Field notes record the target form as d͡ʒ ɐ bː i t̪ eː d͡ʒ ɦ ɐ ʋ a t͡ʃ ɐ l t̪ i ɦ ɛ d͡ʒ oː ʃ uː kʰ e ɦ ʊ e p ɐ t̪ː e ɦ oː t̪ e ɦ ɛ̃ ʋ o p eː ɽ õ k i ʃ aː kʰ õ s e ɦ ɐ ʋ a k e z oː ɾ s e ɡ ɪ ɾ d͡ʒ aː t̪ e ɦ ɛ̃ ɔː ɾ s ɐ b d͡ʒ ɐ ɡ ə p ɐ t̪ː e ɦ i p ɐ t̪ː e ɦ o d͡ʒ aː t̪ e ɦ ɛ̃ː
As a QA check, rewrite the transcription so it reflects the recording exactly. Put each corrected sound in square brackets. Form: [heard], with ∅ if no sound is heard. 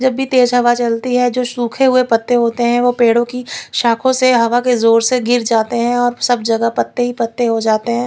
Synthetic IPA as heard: d͡ʒ ɐ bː i t̪ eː d͡ʒ ɦ ɐ ʋ a t͡ʃ ɐ l t̪ i ɦ ɛ d͡ʒ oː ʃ uː kʰ e ɦ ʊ e p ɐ t̪ː e ɦ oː t̪ e ɦ ɛ̃ ʋ o p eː ɽ õ k i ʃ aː kʰ õ s e ɦ ɐ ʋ a k e z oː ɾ s e ɡ ɪ ɾ d͡ʒ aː t̪ e ɦ ɛ̃ ɔː ɾ s ɐ b d͡ʒ ɐ ɡ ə p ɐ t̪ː e ɦ i p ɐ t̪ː e ɦ o d͡ʒ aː t̪ e ɦ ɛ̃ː